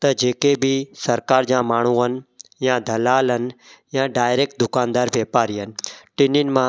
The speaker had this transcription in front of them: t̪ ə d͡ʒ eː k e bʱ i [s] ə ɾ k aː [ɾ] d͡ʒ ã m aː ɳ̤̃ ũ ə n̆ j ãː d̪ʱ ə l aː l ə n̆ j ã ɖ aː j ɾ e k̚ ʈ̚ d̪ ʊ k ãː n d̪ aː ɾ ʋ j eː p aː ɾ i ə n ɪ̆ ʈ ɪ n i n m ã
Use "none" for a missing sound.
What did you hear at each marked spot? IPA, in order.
s, ɾ

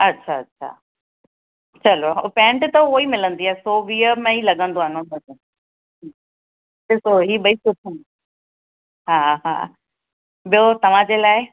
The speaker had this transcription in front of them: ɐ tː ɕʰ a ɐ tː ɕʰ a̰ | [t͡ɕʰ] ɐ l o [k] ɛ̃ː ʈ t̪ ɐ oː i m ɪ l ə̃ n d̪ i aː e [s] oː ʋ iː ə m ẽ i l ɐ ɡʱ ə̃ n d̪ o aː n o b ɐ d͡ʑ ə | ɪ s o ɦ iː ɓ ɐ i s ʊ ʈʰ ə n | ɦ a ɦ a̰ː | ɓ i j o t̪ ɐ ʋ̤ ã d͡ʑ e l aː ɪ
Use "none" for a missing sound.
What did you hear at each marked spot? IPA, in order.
t͡ɕ, p, s

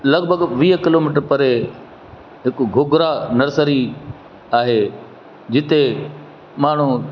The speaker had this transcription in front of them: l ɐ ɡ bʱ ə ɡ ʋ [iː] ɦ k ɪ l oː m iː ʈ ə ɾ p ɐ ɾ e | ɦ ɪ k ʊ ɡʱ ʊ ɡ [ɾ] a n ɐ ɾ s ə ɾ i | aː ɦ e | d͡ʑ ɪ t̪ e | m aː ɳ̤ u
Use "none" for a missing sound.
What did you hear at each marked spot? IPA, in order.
iː, ɾ

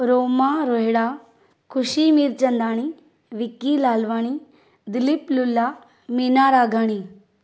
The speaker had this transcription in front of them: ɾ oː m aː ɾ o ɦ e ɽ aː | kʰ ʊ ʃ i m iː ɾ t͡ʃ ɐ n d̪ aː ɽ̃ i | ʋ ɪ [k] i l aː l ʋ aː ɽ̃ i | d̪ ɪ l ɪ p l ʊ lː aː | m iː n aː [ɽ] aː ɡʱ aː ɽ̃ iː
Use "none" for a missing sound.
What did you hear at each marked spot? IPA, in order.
k, ɾ

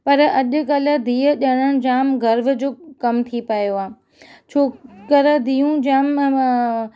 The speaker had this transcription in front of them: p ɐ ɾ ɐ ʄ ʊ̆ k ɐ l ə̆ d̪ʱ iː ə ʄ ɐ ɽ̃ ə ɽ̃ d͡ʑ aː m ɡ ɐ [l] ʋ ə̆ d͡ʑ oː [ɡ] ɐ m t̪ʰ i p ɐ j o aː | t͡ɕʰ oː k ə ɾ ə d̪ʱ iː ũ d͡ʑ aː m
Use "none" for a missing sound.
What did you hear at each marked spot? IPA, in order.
ɾ, k

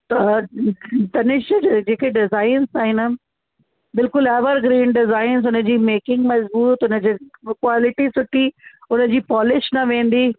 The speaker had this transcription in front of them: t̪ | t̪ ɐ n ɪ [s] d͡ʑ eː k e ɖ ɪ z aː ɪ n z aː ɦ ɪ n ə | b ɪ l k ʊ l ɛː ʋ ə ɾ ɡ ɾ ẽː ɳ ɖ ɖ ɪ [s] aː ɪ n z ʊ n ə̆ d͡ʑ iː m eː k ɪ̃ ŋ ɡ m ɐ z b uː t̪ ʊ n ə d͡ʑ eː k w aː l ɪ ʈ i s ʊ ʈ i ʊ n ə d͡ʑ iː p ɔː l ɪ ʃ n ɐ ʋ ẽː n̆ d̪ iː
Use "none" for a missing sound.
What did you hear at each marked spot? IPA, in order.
ʃ, z

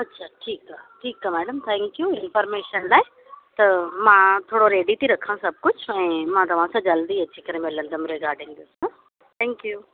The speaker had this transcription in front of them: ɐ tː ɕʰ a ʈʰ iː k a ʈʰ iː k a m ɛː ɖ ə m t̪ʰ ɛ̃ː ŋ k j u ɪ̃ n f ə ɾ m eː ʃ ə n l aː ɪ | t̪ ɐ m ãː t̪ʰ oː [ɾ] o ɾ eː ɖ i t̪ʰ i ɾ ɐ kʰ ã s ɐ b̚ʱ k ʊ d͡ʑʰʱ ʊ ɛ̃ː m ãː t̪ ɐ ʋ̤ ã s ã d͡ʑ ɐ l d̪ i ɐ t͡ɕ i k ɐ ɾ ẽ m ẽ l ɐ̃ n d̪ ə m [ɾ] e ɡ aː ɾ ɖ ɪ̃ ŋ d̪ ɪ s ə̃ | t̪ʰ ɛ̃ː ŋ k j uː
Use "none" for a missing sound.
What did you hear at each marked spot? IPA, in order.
ɽ, ɾ

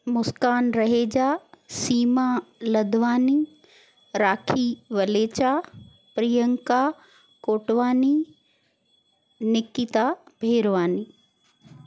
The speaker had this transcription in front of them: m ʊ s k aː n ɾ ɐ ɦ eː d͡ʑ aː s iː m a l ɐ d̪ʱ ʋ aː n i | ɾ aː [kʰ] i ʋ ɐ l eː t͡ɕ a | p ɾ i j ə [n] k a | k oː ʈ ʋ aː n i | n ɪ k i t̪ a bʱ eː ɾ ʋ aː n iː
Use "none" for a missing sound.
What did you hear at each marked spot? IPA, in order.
kʰ, ŋ

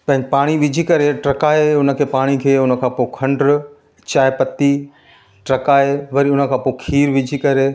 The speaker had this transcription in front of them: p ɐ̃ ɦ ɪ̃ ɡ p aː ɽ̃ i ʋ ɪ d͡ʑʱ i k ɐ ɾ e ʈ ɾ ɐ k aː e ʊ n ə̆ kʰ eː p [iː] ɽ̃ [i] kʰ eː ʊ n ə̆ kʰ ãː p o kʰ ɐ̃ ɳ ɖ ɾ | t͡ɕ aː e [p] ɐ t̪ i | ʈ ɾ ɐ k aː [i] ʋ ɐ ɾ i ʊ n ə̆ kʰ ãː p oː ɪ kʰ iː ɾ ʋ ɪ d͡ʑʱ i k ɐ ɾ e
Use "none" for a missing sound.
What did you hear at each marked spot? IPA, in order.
aː, i, p, e

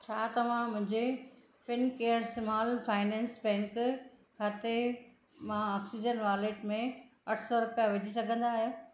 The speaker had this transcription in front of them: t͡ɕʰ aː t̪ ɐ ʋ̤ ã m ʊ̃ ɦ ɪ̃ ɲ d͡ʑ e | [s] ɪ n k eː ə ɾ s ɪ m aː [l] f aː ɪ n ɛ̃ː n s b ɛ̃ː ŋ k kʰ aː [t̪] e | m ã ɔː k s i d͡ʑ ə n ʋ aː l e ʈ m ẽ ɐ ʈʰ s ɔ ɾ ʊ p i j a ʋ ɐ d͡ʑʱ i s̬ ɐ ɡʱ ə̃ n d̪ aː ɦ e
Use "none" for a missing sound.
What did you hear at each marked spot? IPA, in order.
f, l, t̪

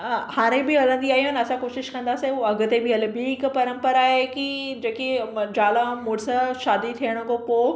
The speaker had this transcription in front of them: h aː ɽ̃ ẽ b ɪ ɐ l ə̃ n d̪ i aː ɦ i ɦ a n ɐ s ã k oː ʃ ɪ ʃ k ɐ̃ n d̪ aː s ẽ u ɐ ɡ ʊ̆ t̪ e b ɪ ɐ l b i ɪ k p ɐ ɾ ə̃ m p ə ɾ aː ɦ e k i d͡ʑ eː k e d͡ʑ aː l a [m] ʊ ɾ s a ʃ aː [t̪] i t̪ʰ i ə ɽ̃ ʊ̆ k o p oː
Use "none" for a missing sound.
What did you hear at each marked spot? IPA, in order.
m, d̪

